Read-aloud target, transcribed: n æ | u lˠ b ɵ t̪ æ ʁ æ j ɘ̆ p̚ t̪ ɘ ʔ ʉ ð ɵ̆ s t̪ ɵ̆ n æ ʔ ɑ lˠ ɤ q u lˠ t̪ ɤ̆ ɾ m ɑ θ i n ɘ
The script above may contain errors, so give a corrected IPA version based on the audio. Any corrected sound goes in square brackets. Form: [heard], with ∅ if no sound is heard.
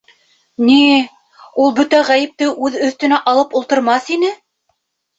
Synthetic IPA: n [i] | u lˠ b ɵ t̪ æ ʁ æ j ɘ̆ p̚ t̪ ɘ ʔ ʉ ð ɵ̆ [θ] t̪ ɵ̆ n æ ʔ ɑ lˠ ɤ [p] u lˠ t̪ ɤ̆ ɾ m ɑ θ i n ɘ

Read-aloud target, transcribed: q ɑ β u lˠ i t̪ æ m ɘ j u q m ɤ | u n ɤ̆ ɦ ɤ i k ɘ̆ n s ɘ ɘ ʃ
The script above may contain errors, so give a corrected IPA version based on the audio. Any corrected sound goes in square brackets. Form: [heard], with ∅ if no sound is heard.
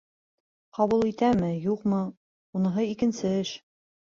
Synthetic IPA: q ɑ β u lˠ i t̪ æ m ɘ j u q m ɤ | u n ɤ̆ ɦ ɤ i k ɘ̆ n s ɘ ɘ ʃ

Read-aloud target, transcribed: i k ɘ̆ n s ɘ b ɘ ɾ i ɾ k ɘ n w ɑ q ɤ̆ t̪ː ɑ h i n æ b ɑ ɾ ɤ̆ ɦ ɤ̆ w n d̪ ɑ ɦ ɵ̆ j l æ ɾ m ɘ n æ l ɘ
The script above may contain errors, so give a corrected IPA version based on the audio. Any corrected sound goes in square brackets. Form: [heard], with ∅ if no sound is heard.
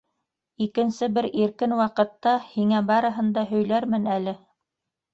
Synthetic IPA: i k ɘ̆ n s ɘ b ɘ ɾ i ɾ k ɘ n w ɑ q ɤ̆ t̪ː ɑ h i [ŋ] æ b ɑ ɾ ɤ̆ ɦ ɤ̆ [∅] n d̪ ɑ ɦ ɵ̆ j l æ ɾ m ɘ n æ l ɘ

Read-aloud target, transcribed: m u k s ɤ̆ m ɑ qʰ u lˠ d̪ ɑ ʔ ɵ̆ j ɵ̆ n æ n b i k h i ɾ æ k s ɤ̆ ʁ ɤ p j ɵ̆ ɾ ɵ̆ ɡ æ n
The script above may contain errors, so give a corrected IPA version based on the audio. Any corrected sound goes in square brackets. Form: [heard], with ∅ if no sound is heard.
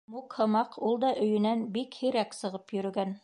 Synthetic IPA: m u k [h] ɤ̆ m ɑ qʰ u lˠ d̪ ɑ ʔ ɵ̆ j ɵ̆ n æ n b i k h i ɾ æ k s ɤ̆ ʁ ɤ p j ɵ̆ ɾ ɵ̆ ɡ æ n

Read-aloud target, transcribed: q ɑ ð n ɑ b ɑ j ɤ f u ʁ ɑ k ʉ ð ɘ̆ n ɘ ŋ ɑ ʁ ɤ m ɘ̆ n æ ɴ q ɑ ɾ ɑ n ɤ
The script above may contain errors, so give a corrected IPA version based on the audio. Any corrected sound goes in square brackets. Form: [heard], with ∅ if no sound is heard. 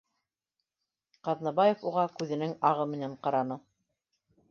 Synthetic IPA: q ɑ ð n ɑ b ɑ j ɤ f u ʁ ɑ k ʉ ð ɘ̆ n ɘ ŋ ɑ ʁ ɤ m ɘ̆ n æ ɴ q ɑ ɾ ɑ n ɤ

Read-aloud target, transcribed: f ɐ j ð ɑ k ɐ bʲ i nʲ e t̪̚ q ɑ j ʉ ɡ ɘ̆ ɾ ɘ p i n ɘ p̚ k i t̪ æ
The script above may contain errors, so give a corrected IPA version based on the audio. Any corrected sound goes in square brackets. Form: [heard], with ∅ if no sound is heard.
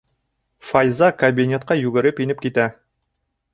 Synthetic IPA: f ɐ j [z] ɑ k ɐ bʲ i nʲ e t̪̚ q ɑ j ʉ ɡ ɘ̆ ɾ ɘ p i n ɘ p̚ k i t̪ æ

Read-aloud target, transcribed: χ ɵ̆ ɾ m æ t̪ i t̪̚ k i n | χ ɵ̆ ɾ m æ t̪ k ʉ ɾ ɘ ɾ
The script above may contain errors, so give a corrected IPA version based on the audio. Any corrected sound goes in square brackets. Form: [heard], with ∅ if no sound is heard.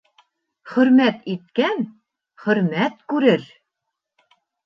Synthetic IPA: χ ɵ̆ ɾ m æ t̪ i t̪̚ k [æ] n | χ ɵ̆ ɾ m æ t̪ k ʉ ɾ ɘ ɾ

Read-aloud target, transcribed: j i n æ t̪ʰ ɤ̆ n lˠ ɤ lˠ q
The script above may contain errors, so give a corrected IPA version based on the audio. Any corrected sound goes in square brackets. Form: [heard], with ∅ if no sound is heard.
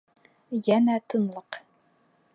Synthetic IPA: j [æ] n æ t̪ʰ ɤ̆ n lˠ ɤ [∅] q

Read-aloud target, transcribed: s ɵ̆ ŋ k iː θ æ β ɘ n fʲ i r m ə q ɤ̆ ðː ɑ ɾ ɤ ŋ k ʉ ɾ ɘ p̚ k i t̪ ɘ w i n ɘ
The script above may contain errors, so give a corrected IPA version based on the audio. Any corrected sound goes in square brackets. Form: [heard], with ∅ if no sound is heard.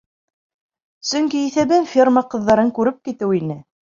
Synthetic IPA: s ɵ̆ ŋ k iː θ æ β ɘ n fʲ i r m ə q ɤ̆ ðː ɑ ɾ ɤ ŋ k ʉ ɾ ɘ p̚ k i t̪ ɘ w i n ɘ

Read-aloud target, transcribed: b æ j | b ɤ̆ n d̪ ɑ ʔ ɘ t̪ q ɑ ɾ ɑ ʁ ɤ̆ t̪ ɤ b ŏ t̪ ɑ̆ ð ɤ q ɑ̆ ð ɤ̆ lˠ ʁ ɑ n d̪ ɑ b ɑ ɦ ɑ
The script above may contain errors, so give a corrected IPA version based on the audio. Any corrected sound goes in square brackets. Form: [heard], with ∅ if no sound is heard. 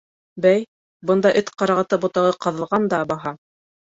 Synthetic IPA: b æ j | b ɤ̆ n d̪ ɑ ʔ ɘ t̪ q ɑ ɾ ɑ ʁ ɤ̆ t̪ ɤ b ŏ t̪ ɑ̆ [ʁ] ɤ q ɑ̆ ð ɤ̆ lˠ ʁ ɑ n d̪ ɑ b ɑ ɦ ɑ

